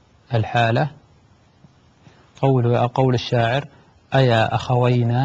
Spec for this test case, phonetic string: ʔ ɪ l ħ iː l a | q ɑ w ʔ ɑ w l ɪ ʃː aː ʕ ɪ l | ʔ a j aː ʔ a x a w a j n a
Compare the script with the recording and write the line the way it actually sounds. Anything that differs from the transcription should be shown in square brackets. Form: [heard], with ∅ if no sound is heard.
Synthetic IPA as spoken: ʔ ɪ l ħ [aː] l a | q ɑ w [q] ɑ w l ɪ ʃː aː ʕ ɪ [ɾ] | ʔ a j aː ʔ a x a w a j n a